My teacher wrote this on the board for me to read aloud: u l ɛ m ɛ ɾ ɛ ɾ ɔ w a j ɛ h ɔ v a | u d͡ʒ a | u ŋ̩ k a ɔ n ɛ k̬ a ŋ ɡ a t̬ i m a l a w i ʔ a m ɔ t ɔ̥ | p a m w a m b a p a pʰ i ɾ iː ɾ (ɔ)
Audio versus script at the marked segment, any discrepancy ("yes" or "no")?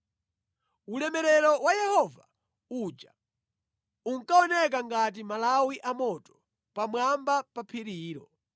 no